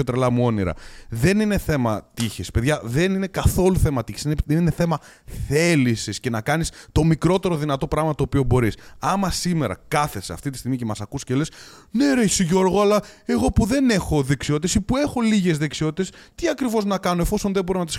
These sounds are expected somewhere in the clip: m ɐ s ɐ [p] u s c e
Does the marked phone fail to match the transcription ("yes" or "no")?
yes